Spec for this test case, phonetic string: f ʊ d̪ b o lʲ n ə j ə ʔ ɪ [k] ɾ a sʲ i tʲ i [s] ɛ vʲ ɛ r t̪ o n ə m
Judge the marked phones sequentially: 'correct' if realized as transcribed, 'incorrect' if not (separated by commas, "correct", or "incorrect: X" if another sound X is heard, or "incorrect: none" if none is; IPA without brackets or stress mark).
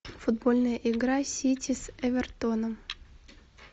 incorrect: ɡ, correct